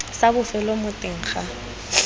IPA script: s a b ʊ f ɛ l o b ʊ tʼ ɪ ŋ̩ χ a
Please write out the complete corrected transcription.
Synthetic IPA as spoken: s a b ʊ f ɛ l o m ʊ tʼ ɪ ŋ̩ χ a